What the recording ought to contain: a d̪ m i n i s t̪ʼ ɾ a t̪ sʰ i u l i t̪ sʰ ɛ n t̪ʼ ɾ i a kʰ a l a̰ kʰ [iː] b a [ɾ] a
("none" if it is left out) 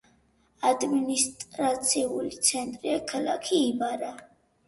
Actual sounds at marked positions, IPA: iː, ɾ

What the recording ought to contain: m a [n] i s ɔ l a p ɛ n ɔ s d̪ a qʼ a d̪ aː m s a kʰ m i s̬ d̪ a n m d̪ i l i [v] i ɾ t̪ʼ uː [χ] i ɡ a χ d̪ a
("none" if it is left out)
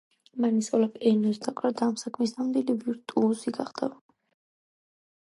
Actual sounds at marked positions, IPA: n, v, s

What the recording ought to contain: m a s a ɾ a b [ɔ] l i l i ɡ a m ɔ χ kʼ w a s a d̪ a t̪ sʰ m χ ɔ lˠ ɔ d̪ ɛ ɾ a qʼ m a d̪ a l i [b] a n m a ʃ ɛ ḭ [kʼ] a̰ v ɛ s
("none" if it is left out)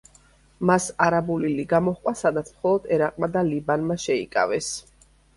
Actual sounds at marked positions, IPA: u, b, kʼ

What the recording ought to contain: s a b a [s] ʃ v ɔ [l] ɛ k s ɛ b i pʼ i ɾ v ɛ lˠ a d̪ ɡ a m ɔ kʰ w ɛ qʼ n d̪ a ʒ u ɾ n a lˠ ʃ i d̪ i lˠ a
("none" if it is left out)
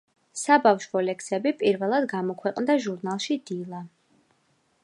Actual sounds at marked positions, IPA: f, l

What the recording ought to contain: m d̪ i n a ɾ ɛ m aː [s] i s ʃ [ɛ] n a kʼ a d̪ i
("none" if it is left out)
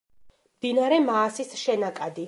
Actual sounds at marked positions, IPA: s, ɛ

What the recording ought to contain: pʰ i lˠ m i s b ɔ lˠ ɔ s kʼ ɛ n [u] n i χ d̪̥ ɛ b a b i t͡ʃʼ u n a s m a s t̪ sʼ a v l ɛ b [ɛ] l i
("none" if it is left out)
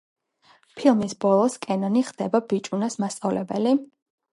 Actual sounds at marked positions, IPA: ɔ, ɛ

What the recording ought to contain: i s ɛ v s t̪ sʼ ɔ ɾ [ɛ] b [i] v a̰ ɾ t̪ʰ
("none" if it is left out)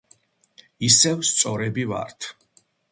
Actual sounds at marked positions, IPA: ɛ, i

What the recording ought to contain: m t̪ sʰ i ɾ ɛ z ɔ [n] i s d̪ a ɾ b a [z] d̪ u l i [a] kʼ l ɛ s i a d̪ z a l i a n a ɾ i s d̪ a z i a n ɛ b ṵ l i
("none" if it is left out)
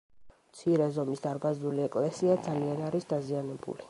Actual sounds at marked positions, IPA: m, z, ɛ

